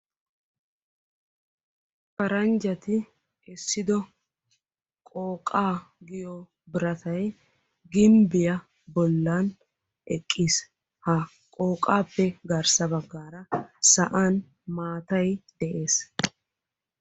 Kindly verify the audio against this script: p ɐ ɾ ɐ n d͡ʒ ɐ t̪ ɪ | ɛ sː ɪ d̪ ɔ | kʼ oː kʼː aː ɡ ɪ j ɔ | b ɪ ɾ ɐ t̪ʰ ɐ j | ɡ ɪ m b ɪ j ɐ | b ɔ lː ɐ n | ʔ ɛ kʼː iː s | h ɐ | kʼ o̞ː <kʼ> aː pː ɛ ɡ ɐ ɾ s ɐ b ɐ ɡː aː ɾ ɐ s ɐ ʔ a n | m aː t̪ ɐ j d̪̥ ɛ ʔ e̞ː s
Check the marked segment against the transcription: correct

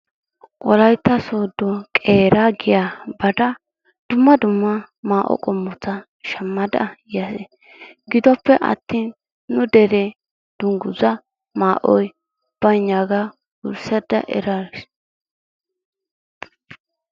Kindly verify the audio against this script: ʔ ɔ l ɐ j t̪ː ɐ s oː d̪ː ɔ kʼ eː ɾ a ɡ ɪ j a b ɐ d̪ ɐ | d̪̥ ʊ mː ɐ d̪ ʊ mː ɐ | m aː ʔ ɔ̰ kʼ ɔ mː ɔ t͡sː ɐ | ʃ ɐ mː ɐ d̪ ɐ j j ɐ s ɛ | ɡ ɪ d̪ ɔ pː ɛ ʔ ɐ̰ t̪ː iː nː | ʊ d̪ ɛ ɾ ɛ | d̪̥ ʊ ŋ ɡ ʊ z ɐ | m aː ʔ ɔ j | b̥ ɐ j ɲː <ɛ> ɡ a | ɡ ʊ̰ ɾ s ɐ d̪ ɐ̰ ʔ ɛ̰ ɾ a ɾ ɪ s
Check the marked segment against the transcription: incorrect: a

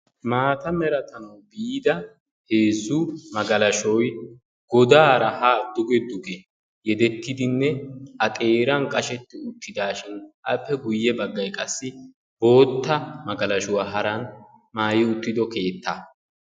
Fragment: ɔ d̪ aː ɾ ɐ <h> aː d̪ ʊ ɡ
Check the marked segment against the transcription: correct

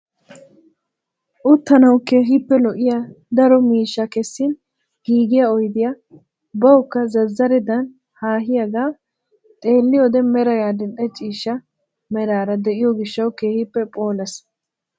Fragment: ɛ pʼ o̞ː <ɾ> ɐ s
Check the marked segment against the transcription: incorrect: l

